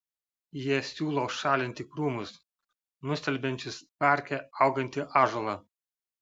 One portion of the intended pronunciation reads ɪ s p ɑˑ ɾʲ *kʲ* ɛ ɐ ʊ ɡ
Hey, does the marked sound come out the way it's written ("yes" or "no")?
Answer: yes